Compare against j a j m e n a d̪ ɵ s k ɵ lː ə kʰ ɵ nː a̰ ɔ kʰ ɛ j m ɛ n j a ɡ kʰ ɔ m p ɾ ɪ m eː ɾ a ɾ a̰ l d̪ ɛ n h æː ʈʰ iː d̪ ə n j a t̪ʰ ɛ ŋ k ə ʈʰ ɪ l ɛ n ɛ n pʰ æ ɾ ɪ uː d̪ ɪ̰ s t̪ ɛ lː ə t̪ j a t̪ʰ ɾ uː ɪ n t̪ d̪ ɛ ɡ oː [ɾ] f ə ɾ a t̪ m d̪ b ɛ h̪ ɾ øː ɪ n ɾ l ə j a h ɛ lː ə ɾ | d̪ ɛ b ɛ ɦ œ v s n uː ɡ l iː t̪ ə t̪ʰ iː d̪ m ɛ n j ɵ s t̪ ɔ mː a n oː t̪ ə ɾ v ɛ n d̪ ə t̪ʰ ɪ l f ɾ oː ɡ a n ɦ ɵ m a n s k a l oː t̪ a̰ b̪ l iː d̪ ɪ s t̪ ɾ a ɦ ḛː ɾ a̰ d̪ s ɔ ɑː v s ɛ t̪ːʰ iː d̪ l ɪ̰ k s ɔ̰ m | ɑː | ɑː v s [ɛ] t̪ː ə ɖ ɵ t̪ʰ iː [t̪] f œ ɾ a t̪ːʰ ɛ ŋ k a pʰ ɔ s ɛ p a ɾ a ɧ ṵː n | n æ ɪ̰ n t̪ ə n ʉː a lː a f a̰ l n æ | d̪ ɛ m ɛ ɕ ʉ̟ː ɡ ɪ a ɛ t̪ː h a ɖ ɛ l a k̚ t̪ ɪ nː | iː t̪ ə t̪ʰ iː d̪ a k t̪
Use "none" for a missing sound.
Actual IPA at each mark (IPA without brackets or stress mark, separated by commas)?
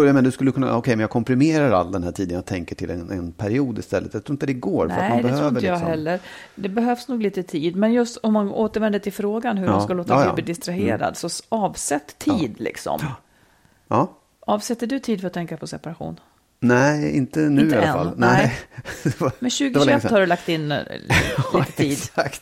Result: ɾ, ɛ, d̪